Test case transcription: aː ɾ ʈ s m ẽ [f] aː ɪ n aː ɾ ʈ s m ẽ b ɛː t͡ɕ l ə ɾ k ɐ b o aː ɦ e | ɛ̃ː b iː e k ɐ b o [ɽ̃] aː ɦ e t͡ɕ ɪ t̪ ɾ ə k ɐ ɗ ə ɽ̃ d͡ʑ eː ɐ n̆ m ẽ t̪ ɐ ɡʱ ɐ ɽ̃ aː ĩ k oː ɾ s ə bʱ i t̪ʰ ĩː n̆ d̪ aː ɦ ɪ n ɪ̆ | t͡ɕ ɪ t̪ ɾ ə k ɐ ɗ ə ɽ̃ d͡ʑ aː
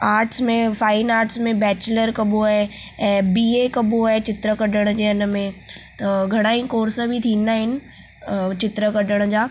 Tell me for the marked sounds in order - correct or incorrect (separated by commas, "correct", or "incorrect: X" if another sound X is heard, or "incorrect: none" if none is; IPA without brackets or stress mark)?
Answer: correct, incorrect: none